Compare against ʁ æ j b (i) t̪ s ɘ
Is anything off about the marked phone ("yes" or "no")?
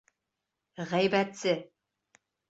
yes